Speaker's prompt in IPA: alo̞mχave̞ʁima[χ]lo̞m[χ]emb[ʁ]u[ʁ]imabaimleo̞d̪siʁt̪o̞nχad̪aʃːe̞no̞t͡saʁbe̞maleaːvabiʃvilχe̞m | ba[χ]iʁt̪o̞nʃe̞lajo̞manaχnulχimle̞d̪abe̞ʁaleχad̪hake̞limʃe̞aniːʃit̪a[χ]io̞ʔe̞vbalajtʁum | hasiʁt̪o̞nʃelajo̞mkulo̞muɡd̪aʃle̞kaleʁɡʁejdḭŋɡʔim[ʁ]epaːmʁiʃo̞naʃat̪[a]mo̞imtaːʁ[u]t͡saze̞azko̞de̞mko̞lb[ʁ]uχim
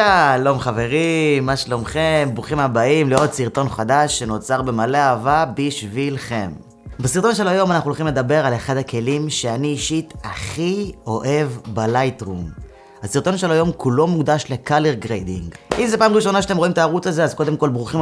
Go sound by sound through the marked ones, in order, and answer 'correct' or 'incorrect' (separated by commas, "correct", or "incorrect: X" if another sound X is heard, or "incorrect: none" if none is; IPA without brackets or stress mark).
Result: incorrect: ʃ, correct, correct, incorrect: χ, incorrect: s, correct, incorrect: z, incorrect: e, correct, correct